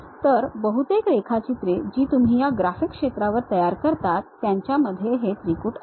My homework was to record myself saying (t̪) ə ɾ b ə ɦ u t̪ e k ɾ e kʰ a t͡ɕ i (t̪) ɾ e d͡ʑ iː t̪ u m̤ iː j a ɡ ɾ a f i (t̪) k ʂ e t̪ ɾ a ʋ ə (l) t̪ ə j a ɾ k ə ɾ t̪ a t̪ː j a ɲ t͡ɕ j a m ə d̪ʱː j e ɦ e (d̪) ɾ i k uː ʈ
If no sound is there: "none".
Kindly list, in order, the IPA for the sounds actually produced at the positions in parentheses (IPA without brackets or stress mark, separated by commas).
t̪, t̪, none, ɾ, t̪